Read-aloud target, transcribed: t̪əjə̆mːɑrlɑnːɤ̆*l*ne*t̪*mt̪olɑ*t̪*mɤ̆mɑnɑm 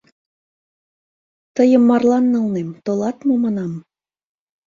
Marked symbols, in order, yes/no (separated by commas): yes, no, yes